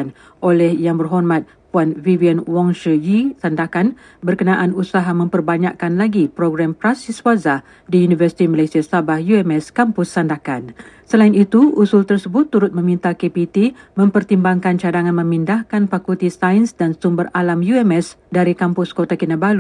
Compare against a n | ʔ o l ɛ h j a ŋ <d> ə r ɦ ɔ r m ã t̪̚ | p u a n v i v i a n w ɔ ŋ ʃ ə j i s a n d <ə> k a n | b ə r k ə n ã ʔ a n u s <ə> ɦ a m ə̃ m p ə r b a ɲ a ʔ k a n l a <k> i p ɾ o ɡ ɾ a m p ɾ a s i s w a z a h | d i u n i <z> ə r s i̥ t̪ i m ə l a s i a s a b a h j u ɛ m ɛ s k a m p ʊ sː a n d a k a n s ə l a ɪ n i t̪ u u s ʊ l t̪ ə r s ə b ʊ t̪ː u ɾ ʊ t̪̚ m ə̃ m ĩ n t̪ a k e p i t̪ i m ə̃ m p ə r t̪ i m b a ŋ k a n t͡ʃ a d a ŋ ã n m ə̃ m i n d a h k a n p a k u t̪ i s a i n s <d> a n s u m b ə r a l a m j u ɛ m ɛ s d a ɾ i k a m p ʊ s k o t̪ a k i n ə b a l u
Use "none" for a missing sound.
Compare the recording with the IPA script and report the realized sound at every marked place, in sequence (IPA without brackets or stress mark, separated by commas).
b, a, a, ɡ, v, d